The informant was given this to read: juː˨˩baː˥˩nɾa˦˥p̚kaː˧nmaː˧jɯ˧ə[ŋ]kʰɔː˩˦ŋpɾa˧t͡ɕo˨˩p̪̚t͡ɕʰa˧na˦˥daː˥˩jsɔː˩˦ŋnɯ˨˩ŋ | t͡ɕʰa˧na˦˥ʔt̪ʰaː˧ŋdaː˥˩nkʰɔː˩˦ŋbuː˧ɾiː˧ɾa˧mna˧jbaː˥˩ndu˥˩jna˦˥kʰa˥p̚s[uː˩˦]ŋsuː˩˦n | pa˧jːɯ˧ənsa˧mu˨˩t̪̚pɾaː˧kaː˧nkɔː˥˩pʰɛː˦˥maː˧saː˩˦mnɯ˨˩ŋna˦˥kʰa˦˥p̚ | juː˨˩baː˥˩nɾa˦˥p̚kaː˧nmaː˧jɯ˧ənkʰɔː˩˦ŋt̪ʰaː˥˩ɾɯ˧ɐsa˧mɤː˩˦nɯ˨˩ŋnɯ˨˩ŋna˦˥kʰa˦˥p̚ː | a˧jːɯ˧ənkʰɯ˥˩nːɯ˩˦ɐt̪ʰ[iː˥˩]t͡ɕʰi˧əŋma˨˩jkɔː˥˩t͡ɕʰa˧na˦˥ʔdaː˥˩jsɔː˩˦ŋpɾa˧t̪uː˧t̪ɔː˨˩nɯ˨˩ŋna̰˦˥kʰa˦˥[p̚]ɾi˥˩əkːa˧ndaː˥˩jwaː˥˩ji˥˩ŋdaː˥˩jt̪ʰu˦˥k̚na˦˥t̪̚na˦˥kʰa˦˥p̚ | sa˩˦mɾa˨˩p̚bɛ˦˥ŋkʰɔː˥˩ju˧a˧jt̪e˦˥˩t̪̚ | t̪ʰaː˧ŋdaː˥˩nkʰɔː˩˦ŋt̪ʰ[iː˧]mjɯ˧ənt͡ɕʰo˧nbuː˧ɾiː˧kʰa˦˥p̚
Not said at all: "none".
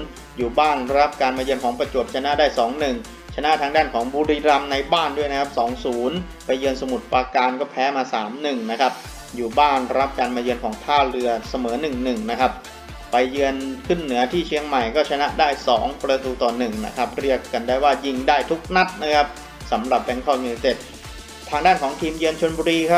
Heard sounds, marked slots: n, ɔː˩˦, iː˥˩, p̚, iː˧

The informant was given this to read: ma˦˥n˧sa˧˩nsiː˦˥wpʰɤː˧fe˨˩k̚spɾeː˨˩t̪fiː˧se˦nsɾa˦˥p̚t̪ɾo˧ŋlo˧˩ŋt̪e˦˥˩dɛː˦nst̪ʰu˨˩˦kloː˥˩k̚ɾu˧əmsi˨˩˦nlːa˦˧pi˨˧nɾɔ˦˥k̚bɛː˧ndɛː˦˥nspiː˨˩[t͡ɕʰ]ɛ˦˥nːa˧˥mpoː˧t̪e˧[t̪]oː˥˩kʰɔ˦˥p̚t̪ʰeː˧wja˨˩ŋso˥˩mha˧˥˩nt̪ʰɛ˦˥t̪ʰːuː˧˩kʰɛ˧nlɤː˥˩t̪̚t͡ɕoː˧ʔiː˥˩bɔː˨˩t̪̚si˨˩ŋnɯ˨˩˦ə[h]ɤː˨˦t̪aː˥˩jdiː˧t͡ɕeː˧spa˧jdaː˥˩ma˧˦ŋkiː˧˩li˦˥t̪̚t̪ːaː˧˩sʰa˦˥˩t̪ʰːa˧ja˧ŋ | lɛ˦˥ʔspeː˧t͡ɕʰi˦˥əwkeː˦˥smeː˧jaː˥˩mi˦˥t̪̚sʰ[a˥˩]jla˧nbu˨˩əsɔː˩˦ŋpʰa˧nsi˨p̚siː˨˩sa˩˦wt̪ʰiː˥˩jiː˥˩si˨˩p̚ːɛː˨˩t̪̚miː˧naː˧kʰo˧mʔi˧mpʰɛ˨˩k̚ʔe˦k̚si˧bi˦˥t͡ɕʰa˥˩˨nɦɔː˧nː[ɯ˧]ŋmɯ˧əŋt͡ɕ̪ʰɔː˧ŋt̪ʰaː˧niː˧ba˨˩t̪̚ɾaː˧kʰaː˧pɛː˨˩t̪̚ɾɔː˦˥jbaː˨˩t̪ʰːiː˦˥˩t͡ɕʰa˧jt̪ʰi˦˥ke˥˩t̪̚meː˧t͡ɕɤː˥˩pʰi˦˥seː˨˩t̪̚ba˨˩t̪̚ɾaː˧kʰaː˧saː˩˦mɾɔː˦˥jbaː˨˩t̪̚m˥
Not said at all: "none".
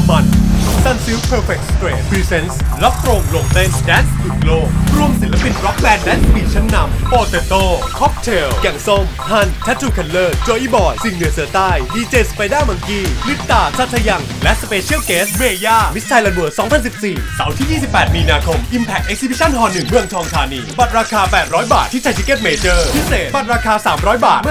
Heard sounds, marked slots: t͡ɕʰ, t̪, s, a˧, ɯ˨˩

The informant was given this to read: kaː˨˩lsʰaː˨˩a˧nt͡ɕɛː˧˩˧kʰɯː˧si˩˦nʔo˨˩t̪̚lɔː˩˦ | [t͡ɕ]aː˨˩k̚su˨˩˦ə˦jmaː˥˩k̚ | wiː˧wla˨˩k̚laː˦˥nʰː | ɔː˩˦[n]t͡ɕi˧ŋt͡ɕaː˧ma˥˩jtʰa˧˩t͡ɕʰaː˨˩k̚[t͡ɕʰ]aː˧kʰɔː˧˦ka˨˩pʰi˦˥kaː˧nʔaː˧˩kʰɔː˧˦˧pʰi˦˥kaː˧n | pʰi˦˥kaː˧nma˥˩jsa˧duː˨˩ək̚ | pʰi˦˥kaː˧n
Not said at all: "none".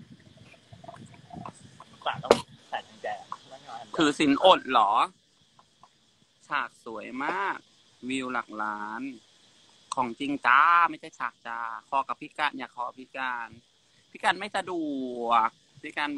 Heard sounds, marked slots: t͡ɕʰ, ŋ, t͡ɕ

